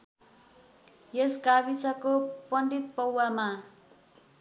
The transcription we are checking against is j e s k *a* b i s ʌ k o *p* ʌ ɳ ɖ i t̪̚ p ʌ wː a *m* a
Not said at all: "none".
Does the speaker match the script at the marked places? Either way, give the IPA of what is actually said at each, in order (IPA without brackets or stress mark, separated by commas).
a, p, m